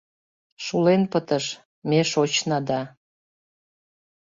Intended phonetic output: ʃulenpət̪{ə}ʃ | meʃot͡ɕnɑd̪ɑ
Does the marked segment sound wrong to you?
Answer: no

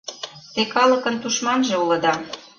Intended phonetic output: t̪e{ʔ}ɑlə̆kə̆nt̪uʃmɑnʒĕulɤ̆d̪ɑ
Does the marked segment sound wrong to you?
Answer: yes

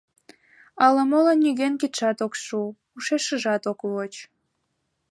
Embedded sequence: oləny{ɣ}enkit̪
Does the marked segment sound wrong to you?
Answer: no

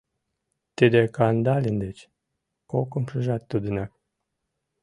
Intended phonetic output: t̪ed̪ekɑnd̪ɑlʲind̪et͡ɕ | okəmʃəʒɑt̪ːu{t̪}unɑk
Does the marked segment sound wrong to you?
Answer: yes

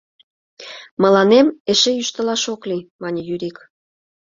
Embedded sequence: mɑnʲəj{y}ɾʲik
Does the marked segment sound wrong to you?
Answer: no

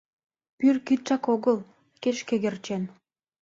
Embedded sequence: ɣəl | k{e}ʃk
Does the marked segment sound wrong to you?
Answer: no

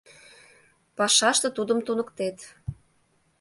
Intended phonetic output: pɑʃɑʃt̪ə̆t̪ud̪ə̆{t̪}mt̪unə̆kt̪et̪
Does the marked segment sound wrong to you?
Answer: yes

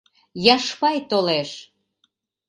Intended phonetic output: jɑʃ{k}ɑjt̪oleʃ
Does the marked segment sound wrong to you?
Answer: yes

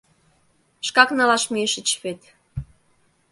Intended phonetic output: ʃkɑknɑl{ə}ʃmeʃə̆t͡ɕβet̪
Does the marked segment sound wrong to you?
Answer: yes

